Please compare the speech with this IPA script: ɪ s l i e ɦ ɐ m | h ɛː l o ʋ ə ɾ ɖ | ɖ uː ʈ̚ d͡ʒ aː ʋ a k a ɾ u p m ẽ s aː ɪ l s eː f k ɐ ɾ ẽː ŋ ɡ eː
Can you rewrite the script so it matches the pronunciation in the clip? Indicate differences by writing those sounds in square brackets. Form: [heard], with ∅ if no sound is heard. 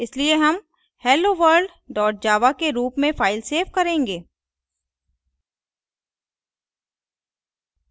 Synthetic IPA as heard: ɪ s l i e ɦ ɐ m | h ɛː l o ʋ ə ɾ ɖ | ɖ [ɔː] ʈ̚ d͡ʒ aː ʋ a k [e] ɾ [uː] p m ẽ [f] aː ɪ l s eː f k ɐ ɾ ẽː ŋ ɡ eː